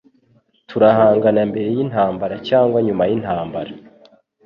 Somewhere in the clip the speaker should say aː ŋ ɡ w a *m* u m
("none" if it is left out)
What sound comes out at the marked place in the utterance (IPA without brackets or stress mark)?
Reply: ɲ